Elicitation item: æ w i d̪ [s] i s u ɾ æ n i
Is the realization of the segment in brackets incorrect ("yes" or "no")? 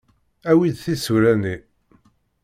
yes